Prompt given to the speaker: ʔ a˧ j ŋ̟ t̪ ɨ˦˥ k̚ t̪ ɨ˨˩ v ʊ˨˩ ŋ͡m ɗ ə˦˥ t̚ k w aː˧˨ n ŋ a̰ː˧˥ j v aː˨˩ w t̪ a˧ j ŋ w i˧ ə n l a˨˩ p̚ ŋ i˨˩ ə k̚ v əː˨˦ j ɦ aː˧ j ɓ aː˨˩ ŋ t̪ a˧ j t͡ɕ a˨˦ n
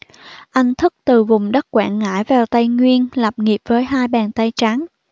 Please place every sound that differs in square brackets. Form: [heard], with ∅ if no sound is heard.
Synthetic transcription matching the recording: ʔ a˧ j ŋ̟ [t̪ʰ] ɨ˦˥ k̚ t̪ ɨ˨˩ v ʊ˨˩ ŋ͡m ɗ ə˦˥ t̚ k w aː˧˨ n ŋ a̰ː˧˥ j v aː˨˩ w t̪ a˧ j ŋ w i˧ ə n l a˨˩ p̚ ŋ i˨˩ ə [p̚] v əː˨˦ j ɦ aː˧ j ɓ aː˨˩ [n] t̪ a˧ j t͡ɕ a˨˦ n